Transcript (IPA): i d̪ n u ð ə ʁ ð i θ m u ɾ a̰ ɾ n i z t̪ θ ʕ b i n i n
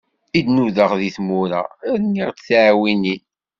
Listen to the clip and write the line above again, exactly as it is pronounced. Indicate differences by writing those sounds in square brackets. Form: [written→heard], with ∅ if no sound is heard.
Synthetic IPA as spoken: i d̪ n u ð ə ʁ ð i θ m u ɾ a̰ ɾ n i [z→ʁ] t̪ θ ʕ [b→w] i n i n